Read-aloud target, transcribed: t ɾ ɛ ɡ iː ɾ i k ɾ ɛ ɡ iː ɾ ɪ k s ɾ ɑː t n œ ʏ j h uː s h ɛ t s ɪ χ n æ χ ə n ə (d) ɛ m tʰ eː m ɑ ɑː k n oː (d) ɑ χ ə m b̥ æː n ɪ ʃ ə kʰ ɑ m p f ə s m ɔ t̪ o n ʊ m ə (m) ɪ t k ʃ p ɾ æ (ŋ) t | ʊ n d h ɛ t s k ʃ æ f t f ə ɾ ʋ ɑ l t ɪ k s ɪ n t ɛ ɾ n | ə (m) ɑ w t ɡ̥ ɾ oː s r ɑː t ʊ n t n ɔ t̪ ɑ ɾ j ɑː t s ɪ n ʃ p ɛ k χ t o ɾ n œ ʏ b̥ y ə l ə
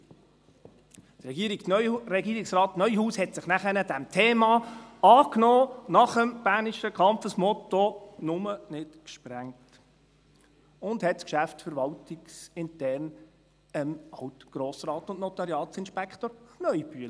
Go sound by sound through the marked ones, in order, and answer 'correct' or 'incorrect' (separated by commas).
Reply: correct, incorrect, incorrect, correct, correct